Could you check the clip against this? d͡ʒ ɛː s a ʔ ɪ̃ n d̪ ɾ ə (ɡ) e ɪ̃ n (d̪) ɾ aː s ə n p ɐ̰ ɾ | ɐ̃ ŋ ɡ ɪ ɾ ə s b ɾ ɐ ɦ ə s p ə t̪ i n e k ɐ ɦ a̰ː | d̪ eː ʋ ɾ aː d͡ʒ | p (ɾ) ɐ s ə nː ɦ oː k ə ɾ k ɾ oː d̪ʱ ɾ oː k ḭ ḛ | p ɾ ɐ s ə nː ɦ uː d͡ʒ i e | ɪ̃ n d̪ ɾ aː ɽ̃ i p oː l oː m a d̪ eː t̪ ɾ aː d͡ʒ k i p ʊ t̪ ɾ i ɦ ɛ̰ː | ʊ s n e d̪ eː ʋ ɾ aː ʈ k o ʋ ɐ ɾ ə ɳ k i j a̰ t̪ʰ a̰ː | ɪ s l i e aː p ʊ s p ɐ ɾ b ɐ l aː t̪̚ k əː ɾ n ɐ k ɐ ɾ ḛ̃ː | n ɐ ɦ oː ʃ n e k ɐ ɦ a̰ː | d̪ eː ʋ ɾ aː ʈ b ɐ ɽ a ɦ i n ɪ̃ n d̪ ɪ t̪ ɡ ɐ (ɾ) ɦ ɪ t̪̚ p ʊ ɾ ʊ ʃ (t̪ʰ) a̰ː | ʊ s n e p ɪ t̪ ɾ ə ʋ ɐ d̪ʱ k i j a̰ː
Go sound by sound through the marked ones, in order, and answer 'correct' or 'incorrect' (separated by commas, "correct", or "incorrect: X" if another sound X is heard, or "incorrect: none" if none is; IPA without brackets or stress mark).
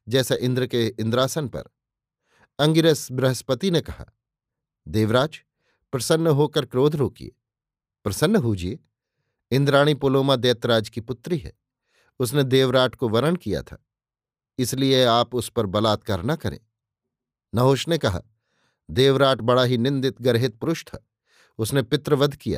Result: incorrect: k, correct, correct, correct, correct